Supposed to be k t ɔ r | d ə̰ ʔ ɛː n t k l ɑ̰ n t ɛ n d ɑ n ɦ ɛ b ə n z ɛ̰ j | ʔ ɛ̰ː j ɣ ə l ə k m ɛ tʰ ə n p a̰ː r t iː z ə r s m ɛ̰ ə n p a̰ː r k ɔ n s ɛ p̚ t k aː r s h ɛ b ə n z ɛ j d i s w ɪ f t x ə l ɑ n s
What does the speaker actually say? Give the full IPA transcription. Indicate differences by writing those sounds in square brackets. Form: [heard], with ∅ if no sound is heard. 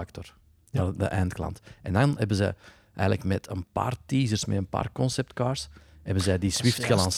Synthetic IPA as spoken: k t ɔ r | d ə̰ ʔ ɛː n t k l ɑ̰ n t ɛ n d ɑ n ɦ ɛ b ə n z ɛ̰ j | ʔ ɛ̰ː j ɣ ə l ə k m ɛ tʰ ə n p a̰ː r t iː z ə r s m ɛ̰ ə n p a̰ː r k ɔ n s ɛ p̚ t k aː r s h ɛ b ə n z ɛ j d i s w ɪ f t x ə l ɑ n s